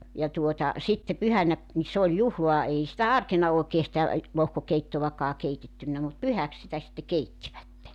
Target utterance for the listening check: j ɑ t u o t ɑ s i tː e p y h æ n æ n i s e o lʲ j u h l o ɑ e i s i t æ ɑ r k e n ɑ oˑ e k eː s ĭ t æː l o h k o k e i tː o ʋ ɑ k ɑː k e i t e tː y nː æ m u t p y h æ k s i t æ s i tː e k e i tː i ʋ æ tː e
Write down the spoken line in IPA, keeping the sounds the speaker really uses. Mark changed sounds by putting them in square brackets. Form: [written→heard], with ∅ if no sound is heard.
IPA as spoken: j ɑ t u o t ɑ s i tː e p y h æ n æ n i s e o lʲ j u h l o ɑ e i s i t æ ɑ r k e n ɑ oˑ e k eː s ĭ t [æː→æ] l o h k o k e i tː o ʋ ɑ k ɑː k e i t e tː y nː æ m u t p y h æ k s i t æ s i tː e k e i tː i ʋ æ tː e

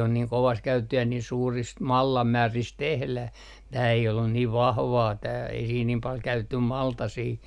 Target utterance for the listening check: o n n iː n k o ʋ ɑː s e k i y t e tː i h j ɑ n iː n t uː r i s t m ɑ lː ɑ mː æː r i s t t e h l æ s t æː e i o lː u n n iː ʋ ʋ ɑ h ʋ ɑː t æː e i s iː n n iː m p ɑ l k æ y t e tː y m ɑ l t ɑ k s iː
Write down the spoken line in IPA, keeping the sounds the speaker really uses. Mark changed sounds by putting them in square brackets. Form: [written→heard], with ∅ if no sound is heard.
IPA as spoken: o n n iː [n→ŋ] k o ʋ ɑː s e k [i→æ] y t e tː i h j ɑ n iː n [t→s] uː r i s t m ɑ lː ɑ mː æː r i s t t e h l æ [s→h] t æː e i o lː u n n iː ʋ ʋ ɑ h ʋ ɑː t æː e i s iː n n iː m p ɑ l k æ y t e tː y m ɑ l t ɑ [k→∅] s iː

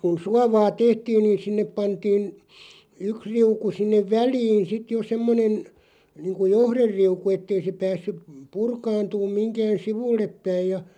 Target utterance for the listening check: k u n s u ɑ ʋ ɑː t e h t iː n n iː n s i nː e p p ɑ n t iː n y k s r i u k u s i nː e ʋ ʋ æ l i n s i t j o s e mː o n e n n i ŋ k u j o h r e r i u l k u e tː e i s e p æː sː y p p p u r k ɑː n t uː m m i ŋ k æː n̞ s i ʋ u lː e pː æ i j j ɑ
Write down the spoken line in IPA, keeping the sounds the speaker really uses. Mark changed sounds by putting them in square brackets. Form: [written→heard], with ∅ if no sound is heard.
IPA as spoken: k u n s u ɑ ʋ ɑː t e h t iː n n iː n s i nː e p p ɑ n t iː n y k s r i u k u s i nː e ʋ ʋ æ l [i→iː] n s i t j o s e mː o n e n n [i→iː] ŋ k u j o h r e [r→rː] i u [l→∅] k u e tː e i s e p æː sː y p p p u r k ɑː n t uː m m i ŋ k æː n̞ s i ʋ u lː e pː æ i j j ɑ

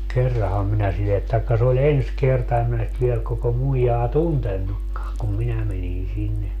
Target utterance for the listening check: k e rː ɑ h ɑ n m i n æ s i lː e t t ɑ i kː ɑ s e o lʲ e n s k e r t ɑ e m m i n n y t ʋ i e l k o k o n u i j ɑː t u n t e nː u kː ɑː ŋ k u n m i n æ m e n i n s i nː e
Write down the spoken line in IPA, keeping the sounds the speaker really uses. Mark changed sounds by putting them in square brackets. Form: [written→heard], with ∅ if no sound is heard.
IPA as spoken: k e rː ɑ h ɑ [n→m] m i n æ s i lː e t t ɑ i kː ɑ s e o lʲ e n s k e r t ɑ e m m i n n y t ʋ i e l k o k o [n→m] u i j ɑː t u n t e nː u kː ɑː ŋ k u [n→m] m i n æ m e n i n s i nː e

